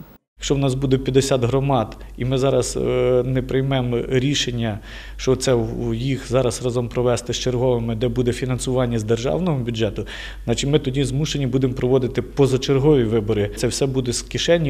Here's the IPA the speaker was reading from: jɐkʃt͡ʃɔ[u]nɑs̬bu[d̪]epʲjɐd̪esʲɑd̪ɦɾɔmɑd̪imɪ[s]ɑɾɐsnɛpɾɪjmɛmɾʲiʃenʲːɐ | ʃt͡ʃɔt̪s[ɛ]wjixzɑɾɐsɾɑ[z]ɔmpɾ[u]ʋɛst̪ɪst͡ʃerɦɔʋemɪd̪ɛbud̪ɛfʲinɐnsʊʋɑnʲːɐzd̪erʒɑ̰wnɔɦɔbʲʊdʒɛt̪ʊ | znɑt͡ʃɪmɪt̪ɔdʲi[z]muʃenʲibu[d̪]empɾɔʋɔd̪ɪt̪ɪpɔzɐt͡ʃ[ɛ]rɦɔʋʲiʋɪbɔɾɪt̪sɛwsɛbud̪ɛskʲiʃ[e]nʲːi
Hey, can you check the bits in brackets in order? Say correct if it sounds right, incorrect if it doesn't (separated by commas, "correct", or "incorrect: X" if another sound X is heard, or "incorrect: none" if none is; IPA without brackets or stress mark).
incorrect: w, correct, incorrect: z, correct, correct, incorrect: ɔ, correct, correct, incorrect: e, incorrect: ɛ